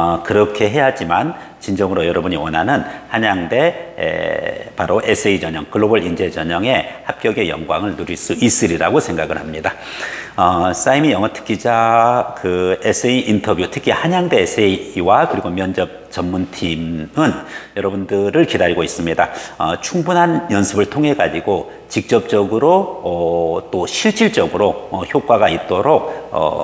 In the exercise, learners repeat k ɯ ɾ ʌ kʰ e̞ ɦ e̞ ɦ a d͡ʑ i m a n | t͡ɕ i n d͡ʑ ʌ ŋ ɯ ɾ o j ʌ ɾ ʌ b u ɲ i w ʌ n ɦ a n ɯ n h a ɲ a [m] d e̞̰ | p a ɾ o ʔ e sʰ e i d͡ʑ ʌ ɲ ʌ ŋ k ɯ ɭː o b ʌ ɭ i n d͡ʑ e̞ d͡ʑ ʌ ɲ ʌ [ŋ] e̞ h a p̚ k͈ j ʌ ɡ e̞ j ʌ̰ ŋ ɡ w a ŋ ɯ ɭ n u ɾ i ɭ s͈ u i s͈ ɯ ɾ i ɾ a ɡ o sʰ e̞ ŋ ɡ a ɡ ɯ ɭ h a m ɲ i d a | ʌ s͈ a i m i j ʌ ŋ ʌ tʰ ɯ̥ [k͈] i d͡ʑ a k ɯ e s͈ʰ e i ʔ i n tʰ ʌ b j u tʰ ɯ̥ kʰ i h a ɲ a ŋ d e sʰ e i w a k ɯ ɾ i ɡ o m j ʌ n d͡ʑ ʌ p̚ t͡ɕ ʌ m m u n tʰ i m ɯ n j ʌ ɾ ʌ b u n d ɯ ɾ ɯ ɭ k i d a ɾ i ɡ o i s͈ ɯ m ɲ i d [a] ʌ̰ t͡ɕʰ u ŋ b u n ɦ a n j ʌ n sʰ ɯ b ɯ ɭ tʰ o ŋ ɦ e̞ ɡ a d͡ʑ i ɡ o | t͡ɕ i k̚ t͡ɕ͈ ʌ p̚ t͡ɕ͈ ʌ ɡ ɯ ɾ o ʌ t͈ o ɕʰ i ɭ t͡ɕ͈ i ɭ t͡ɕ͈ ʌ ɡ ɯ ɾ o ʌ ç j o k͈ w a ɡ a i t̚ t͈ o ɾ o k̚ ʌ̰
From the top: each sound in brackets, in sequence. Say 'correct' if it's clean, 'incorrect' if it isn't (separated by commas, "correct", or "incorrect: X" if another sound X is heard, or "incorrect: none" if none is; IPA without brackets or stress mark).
incorrect: ŋ, correct, correct, correct